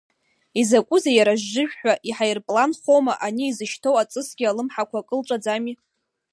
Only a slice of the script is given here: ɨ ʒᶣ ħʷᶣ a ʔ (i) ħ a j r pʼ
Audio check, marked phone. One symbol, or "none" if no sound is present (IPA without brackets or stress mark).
i